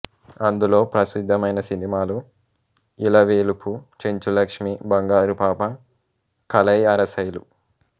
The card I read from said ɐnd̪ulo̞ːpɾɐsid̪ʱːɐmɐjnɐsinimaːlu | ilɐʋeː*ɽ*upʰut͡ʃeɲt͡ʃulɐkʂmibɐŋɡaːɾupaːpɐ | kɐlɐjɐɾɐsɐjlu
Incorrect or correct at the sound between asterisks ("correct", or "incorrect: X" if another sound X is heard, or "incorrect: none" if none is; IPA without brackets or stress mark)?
incorrect: l